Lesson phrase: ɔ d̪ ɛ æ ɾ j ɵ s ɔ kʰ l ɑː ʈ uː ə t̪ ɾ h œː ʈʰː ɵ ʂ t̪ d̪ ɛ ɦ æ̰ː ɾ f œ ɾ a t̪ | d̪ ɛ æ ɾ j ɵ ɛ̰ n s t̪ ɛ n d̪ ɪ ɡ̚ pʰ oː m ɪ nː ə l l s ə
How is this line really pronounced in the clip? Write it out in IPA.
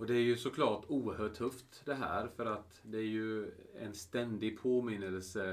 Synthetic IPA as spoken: ɔ d̪ ɛ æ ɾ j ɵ s ɔ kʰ l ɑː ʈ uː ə ɾ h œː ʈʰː ɵ f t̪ d̪ ɛ ɦ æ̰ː ɾ f œ ɾ a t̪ | d̪ ɛ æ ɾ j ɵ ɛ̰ n s t̪ ɛ n d̪ ɪ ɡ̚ pʰ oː m ɪ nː ə l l s ə